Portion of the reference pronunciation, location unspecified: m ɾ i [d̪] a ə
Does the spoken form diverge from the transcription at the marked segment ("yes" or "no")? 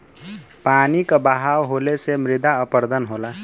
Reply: no